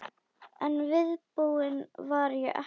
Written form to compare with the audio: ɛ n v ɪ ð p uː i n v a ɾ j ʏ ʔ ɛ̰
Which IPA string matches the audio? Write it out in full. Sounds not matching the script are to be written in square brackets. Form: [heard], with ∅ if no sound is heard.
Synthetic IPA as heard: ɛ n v ɪ ð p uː [ɪ] n v a ɾ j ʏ ʔ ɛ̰